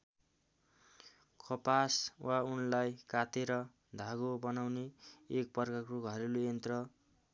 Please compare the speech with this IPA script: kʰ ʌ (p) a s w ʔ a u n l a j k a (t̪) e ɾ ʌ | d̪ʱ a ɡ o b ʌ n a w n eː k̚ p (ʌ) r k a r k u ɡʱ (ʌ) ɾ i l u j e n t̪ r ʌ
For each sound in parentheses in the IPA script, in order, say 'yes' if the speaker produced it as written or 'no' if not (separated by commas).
yes, yes, yes, yes